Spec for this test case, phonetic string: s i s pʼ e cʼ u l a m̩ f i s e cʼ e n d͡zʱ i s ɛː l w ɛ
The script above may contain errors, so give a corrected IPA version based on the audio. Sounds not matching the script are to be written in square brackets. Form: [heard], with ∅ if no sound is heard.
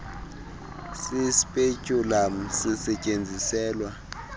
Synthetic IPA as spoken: s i s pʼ e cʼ u l a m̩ [s] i s [ɛ] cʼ e n d͡zʱ i s ɛː l w [a]